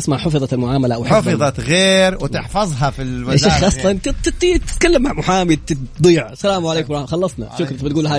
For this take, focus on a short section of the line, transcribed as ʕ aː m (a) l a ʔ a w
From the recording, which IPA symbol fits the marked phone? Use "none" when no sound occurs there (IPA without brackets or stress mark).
a